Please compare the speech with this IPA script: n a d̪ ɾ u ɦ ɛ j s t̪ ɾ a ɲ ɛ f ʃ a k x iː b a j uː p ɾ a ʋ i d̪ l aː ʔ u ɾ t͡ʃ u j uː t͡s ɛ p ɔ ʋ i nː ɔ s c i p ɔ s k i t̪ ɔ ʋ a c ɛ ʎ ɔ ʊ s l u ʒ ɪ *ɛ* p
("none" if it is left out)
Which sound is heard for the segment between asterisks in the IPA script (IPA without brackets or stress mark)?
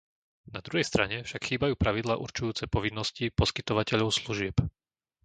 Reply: ɛ